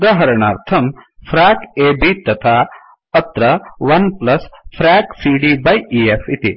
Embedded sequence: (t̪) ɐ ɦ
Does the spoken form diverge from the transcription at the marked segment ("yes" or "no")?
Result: yes